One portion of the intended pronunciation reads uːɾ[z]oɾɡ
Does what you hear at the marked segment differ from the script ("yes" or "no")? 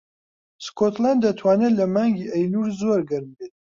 no